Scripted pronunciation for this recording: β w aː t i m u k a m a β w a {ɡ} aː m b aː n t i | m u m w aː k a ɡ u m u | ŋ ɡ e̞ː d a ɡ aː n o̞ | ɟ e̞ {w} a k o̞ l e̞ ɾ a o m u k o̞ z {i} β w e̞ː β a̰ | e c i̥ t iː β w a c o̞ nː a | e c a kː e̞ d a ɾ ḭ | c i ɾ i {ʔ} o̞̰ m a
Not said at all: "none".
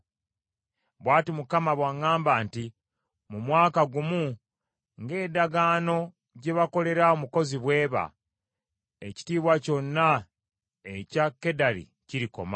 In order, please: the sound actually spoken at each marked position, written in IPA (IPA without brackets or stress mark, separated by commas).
ŋ, β, i, k